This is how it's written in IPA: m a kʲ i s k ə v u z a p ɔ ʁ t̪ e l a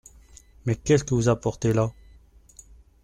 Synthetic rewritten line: m ɛ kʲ ɛ s k ə v u z a p ɔ ʁ t̪ e l a